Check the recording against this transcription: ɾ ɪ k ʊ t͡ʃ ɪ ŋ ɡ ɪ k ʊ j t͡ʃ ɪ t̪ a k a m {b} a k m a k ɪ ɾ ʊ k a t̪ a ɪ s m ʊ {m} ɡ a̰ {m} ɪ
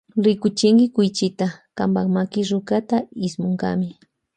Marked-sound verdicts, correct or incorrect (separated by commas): correct, incorrect, correct